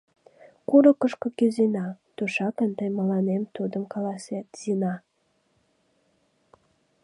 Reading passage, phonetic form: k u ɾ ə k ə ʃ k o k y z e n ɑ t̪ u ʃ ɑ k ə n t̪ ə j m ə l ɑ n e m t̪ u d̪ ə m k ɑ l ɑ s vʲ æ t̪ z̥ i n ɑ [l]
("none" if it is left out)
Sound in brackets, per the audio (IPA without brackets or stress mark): none